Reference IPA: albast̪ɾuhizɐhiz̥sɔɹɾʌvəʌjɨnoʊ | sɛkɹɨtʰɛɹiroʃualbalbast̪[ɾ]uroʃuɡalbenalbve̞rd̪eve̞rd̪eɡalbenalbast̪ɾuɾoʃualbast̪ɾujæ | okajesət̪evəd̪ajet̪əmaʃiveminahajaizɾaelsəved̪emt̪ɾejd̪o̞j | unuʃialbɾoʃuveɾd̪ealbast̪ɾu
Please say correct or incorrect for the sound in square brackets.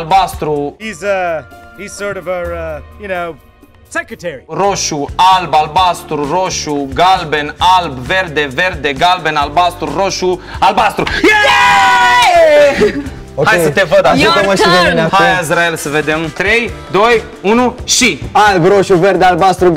correct